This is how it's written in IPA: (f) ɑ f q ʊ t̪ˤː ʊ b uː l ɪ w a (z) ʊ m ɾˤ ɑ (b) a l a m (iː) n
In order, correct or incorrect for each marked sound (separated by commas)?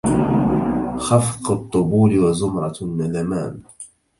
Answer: incorrect, correct, incorrect, incorrect